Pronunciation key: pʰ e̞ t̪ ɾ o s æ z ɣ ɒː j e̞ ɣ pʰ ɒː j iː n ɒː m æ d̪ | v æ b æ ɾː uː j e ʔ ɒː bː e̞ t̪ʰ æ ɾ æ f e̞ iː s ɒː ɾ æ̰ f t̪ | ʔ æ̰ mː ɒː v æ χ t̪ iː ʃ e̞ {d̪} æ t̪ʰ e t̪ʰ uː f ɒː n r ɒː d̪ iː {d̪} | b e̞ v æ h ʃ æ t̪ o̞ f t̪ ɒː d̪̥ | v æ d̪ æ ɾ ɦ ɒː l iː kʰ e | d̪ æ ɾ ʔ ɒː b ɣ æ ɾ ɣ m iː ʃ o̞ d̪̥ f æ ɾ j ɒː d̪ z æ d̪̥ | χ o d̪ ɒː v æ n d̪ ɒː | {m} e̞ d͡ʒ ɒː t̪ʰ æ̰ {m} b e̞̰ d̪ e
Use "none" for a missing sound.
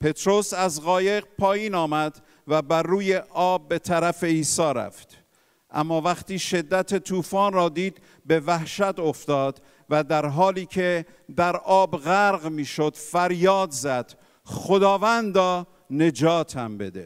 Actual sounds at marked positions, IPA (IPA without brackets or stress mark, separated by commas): d̪ː, d̪, n, m